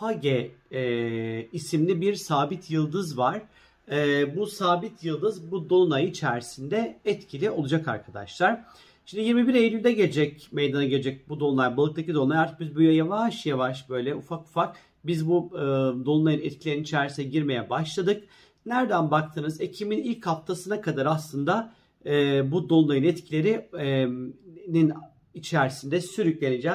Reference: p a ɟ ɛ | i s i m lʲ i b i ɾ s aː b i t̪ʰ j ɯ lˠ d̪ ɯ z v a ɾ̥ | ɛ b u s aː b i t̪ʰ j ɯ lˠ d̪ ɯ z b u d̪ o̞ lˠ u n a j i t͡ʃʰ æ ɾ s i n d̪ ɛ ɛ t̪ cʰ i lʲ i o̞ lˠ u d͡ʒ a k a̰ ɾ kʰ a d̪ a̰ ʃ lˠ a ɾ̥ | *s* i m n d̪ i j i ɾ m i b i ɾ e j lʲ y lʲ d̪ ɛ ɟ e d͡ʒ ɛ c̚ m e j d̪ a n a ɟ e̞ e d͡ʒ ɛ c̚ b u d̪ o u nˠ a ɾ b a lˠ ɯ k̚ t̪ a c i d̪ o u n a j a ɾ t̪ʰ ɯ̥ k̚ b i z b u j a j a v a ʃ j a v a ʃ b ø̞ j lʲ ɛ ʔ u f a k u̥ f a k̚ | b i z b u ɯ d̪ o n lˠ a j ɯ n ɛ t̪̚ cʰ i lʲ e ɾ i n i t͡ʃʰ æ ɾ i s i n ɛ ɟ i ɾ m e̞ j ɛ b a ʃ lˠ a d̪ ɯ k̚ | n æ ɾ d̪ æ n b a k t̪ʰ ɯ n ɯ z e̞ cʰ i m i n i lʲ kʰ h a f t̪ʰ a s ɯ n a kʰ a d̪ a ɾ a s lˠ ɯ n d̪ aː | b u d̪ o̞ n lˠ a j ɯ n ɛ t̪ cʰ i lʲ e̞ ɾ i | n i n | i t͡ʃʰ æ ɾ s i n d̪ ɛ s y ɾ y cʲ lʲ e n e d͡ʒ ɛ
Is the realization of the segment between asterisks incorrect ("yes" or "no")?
yes